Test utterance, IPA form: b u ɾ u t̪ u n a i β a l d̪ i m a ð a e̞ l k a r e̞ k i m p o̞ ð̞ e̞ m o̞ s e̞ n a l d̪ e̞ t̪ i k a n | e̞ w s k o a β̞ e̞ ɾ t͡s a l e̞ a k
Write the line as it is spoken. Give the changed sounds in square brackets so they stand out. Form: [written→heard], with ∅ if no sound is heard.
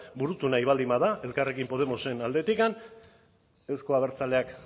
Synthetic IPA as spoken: b u ɾ u t̪ u n a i β a l d̪ i m a ð a e̞ l k a r e̞ k i m p o̞ ð̞ e̞ m o̞ s e̞ n a l d̪ e̞ t̪ i k a n | e̞ w s k o a β̞ e̞ ɾ t͡s a l e̞ a k